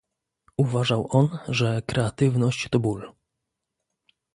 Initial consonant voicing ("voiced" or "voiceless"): voiced